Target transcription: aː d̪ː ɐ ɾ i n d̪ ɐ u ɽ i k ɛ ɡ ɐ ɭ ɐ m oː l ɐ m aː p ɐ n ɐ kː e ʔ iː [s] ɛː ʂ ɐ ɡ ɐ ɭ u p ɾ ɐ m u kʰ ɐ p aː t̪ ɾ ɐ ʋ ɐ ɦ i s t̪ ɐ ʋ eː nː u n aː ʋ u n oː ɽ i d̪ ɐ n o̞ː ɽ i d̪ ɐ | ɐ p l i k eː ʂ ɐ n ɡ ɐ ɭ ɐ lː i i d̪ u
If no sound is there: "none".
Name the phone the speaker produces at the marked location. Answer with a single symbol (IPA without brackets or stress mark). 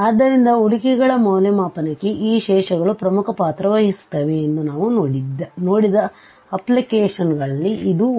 ʃ